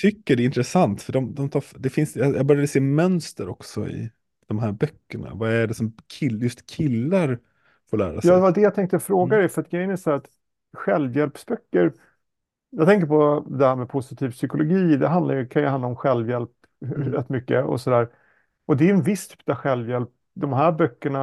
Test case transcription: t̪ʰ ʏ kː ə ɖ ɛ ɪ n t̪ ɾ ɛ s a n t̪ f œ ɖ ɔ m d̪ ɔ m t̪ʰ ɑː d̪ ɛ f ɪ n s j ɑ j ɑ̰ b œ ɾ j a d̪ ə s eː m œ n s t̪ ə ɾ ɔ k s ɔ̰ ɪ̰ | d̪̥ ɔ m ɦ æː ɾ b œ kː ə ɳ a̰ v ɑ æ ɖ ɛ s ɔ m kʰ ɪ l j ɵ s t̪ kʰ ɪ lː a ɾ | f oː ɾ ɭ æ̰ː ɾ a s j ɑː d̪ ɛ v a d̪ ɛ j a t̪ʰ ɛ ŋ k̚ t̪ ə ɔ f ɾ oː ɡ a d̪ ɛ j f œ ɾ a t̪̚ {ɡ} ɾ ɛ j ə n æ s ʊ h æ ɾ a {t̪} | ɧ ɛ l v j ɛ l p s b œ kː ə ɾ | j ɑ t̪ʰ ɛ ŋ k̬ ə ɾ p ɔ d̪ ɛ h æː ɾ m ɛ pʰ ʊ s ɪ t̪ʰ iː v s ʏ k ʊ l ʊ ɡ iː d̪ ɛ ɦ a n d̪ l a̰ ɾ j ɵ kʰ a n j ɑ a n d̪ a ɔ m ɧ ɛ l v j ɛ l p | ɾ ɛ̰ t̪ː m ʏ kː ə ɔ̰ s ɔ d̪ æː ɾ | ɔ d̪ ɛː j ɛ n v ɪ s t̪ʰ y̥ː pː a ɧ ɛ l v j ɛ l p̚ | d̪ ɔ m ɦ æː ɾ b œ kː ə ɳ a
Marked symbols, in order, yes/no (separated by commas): yes, yes